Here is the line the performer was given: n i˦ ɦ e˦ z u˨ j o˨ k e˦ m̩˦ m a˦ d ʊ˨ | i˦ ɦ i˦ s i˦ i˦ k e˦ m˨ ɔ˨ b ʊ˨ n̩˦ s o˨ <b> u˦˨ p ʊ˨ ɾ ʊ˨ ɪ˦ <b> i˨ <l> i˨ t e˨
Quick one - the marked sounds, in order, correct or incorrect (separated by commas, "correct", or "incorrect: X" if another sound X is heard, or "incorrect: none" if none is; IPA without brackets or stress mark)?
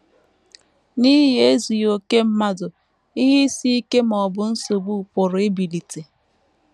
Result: correct, correct, correct